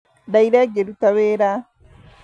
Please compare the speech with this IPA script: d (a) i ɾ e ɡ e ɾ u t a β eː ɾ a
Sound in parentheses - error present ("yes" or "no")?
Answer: no